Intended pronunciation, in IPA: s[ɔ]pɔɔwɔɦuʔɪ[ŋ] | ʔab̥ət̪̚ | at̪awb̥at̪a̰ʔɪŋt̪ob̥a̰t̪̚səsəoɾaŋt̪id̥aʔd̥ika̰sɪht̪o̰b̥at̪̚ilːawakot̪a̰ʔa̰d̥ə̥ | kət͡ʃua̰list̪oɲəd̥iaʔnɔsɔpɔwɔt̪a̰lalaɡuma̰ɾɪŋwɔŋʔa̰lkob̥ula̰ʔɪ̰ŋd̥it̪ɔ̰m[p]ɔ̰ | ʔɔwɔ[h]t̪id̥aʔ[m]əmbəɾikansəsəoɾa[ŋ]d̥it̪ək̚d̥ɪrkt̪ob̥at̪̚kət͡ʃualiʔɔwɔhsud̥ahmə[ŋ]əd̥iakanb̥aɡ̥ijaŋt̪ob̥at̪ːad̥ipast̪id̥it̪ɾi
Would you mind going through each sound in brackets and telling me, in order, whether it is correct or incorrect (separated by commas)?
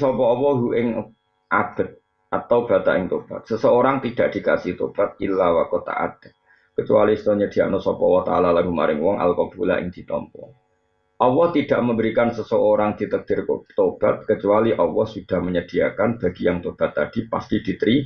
correct, correct, correct, correct, correct, correct, incorrect